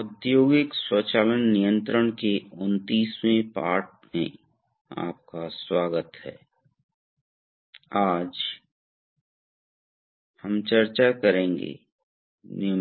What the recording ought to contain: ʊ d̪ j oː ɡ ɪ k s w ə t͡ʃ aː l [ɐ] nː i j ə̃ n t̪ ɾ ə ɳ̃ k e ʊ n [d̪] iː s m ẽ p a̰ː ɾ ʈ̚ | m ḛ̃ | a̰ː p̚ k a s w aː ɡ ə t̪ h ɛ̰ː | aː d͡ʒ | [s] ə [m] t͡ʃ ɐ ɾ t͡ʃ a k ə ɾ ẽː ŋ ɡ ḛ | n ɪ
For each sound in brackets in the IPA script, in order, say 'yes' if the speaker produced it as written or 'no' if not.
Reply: no, no, no, yes

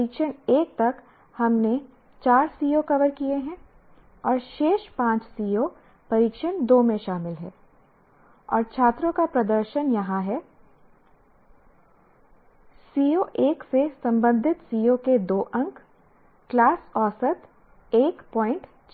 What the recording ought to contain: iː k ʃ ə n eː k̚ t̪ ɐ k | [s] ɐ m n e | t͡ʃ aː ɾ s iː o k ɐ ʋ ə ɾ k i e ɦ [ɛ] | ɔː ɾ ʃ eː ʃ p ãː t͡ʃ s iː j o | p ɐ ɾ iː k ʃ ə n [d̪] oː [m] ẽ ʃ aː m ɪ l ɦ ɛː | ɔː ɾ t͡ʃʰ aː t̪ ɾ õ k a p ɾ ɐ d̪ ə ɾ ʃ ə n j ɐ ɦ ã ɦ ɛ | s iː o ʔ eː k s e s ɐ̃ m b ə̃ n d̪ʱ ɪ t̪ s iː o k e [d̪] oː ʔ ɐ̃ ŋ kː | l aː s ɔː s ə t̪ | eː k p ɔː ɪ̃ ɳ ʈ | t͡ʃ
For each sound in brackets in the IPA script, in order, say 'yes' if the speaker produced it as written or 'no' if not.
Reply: no, no, yes, yes, yes

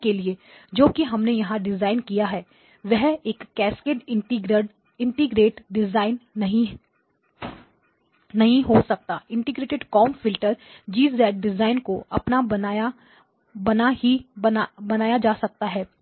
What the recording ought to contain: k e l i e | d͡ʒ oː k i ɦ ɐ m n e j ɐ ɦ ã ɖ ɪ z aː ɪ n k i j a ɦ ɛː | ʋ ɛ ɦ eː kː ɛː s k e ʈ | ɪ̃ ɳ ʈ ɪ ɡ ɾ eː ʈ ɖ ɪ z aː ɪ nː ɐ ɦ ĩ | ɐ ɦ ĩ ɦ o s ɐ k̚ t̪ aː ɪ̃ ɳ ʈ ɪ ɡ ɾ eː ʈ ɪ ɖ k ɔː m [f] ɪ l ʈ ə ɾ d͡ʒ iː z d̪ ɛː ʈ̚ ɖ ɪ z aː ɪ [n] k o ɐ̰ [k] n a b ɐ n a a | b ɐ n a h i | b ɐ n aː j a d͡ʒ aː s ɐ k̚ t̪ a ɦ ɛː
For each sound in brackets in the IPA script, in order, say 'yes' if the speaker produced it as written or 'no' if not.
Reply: yes, yes, no

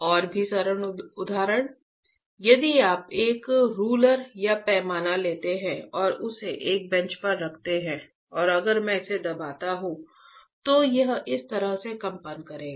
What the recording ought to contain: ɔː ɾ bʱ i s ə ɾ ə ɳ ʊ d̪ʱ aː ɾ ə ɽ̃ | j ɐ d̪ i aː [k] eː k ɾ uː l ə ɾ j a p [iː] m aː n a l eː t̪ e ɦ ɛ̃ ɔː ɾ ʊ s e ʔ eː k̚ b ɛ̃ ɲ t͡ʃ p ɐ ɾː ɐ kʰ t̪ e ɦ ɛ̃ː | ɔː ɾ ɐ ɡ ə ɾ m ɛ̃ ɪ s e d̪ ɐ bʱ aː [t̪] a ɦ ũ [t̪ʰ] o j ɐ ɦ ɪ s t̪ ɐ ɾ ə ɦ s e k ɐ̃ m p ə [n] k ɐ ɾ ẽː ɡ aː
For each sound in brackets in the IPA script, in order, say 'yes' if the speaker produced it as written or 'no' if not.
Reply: no, no, yes, no, yes

